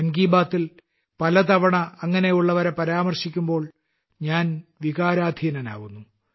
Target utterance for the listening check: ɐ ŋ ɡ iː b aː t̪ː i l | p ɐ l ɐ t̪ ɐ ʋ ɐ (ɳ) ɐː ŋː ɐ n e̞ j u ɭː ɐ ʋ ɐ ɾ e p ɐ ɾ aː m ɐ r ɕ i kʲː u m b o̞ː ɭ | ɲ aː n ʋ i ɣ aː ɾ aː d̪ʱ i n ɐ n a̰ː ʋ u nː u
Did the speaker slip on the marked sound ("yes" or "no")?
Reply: no